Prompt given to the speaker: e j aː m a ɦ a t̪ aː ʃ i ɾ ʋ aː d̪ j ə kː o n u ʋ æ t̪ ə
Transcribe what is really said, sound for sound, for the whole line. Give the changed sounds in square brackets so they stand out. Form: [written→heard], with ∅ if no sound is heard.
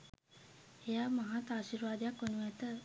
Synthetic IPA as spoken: e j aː m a ɦ a t̪ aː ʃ i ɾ ʋ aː d̪ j [ə→a] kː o n u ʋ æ t̪ ə